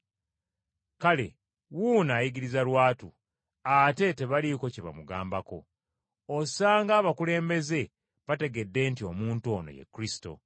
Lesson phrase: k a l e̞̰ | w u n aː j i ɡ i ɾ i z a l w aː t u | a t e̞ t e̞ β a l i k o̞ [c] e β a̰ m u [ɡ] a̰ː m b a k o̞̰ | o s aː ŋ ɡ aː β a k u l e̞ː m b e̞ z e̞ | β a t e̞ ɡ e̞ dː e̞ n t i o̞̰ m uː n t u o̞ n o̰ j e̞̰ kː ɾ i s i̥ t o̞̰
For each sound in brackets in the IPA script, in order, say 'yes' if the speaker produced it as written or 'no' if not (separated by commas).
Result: yes, yes